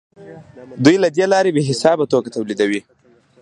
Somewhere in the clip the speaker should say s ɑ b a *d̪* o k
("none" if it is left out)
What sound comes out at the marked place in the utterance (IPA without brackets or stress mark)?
t̪